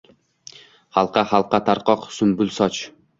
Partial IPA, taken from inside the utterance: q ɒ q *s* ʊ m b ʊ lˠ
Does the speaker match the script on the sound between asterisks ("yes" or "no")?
yes